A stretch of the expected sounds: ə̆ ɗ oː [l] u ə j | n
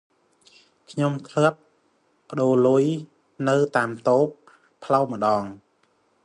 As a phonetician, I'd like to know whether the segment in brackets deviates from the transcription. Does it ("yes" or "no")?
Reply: no